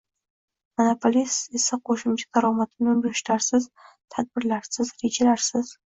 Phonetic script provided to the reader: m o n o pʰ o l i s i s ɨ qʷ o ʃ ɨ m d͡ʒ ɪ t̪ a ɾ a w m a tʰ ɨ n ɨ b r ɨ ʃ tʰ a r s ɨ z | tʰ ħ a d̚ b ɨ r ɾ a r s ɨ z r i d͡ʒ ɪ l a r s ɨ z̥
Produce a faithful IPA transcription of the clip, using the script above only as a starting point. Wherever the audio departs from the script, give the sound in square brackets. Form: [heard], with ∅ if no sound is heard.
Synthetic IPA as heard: m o n o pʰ o l i s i s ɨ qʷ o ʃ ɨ m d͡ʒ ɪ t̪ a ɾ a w m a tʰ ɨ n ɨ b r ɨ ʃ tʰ a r s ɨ z | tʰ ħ a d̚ b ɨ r [l] a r s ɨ z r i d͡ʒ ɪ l a r s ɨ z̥